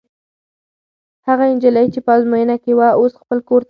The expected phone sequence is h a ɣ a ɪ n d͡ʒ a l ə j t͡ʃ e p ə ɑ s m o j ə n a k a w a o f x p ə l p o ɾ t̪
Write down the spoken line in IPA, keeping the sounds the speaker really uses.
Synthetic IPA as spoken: h a ɣ a ɪ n d͡ʒ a l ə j t͡ʃ e p ə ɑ z m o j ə n a k e w a o s x p ə l k o ɾ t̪